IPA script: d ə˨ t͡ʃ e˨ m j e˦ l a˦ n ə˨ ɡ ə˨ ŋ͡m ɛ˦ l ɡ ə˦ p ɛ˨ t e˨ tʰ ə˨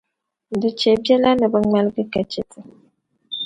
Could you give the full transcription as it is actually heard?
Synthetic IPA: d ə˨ t͡ʃ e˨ b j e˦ l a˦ n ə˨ b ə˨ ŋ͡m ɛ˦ l ɡ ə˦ k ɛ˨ t͡ʃ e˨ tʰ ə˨